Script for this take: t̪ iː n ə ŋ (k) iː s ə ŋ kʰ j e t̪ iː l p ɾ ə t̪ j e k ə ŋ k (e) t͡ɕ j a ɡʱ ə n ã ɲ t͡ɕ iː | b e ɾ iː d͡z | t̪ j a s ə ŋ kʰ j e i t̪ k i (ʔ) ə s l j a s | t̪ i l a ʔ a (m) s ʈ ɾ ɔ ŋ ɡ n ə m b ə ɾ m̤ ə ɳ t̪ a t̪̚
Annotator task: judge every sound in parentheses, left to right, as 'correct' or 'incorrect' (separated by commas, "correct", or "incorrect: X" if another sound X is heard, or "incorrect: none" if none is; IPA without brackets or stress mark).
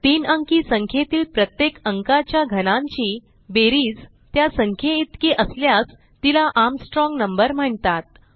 correct, incorrect: a, correct, correct